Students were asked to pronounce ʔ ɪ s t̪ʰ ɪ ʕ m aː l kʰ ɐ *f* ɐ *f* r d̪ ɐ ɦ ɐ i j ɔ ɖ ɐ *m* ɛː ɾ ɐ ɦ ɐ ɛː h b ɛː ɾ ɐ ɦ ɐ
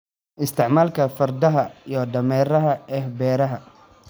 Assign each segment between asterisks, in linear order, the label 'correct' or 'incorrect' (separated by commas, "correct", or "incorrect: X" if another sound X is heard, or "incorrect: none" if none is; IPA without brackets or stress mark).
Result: correct, incorrect: none, correct